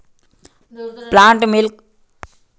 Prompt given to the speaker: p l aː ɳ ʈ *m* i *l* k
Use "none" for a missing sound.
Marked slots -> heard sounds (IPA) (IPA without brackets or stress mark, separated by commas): m, l